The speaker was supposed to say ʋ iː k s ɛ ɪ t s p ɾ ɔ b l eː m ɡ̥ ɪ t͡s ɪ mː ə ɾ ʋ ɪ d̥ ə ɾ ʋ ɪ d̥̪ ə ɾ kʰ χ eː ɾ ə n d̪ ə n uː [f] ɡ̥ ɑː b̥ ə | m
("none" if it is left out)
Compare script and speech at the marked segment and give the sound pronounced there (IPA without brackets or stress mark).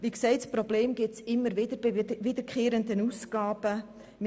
s